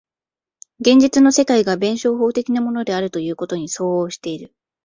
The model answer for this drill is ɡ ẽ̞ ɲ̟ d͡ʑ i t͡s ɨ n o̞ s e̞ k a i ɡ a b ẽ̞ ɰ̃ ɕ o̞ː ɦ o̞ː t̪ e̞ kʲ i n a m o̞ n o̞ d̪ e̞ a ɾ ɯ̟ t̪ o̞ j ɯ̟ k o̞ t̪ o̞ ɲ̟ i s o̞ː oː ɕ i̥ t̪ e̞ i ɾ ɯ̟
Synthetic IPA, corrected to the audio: ɡ ẽ̞ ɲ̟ d͡ʑ i t͡s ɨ n o̞ s e̞ k a i ɡ a b ẽ̞ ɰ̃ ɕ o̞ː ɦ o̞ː t̪ e̞ kʲ i n a m o̞ n o̞ d̪ e̞ a ɾ ɯ̟ t̪ o̞ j ɯ̟ː k o̞ t̪ o̞ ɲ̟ i s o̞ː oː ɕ i̥ t̪ e̞ i ɾ ɯ̟